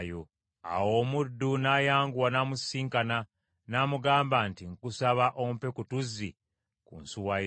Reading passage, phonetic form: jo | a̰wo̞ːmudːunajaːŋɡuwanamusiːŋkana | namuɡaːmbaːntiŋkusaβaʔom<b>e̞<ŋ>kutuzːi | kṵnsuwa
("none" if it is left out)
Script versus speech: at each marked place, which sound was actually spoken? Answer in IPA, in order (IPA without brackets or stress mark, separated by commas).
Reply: p, none